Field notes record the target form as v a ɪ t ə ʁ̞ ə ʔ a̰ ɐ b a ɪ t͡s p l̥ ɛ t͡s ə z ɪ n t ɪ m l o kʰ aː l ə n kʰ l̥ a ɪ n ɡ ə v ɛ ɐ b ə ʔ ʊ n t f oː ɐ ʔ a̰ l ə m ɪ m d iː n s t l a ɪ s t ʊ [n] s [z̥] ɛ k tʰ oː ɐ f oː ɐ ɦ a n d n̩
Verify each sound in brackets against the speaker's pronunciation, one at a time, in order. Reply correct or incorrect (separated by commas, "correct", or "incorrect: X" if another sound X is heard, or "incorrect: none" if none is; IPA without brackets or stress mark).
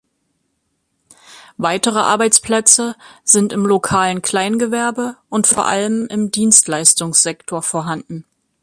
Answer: incorrect: ŋ, correct